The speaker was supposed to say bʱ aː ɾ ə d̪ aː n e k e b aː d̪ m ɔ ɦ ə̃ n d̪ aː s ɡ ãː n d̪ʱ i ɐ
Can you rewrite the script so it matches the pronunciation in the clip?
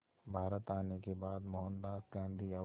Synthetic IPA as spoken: bʱ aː ɾ ə t̪ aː n e k e b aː d̪ m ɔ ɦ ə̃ n d̪ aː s ɡ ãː n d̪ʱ i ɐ